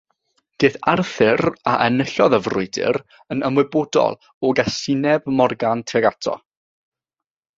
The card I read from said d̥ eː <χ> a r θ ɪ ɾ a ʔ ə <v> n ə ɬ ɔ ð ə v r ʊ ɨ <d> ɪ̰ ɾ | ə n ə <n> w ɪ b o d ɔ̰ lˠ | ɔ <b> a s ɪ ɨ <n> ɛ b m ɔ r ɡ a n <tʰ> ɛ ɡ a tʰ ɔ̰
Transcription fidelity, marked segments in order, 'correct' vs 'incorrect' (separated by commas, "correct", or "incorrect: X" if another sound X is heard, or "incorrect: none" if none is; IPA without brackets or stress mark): incorrect: θ, incorrect: none, correct, incorrect: m, incorrect: ɡ, correct, correct